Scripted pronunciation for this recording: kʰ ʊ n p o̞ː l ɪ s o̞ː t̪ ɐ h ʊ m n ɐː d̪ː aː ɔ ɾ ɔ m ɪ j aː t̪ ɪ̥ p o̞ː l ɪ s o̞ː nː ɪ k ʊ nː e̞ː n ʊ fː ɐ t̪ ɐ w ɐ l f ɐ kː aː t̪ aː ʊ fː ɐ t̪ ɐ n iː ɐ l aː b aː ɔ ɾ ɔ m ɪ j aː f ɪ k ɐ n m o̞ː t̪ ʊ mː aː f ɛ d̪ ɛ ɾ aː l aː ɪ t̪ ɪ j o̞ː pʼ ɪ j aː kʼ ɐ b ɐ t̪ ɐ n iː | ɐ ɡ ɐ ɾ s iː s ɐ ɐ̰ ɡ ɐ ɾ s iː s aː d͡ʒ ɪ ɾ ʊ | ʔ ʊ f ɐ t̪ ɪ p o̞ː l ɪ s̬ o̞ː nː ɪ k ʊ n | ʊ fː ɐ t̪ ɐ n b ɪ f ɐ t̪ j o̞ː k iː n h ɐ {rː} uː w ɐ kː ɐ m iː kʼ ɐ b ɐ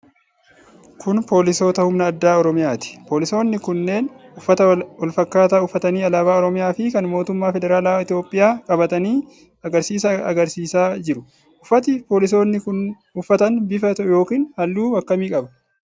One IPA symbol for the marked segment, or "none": lː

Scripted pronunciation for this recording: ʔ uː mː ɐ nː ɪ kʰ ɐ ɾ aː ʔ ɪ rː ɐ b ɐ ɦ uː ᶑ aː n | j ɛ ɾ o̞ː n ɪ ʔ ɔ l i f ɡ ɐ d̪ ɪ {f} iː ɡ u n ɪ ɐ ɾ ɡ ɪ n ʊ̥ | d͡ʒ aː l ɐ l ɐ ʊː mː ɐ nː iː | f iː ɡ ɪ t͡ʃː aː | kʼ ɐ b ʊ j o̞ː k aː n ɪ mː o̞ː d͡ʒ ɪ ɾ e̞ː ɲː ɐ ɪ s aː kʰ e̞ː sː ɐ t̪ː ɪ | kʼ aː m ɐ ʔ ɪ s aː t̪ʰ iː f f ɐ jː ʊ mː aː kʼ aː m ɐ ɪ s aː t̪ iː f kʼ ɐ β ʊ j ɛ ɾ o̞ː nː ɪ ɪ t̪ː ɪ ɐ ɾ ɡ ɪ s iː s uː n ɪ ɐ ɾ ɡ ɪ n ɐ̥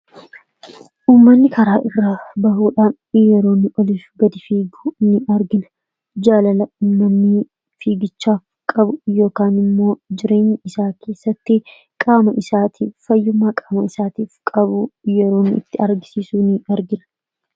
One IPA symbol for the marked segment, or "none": f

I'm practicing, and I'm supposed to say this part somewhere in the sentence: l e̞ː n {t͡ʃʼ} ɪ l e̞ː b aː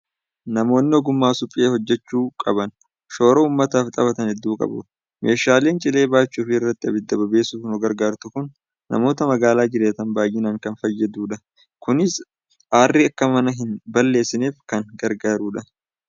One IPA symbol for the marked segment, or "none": t͡ʃʼ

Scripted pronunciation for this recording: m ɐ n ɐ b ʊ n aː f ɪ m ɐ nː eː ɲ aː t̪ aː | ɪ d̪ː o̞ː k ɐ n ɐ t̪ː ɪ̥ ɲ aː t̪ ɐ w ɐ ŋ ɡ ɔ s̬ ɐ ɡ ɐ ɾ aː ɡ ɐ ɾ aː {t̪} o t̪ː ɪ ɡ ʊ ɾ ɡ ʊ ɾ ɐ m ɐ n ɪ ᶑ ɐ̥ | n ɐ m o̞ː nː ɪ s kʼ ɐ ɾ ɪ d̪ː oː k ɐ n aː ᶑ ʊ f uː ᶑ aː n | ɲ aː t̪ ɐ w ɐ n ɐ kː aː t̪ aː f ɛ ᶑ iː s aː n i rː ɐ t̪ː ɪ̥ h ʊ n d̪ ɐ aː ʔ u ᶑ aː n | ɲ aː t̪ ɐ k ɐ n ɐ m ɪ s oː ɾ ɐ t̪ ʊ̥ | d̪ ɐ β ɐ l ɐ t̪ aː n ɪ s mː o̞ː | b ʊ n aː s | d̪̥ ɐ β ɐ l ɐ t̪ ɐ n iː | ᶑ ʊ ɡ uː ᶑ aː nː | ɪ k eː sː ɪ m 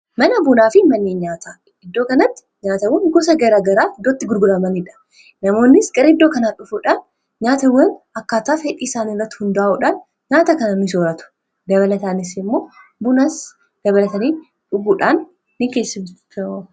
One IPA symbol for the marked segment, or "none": d̪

